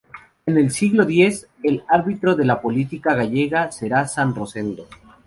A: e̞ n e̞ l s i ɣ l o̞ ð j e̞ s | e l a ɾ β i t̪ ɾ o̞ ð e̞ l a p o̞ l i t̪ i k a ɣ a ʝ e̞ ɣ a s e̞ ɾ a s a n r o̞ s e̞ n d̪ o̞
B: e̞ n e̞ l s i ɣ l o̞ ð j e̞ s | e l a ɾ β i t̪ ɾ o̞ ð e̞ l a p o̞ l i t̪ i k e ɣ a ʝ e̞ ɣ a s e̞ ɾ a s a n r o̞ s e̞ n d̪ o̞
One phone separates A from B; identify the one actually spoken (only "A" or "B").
A